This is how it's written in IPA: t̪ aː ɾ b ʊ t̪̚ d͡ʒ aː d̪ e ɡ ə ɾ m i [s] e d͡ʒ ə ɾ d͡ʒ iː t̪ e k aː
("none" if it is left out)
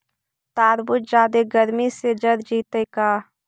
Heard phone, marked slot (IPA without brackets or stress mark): s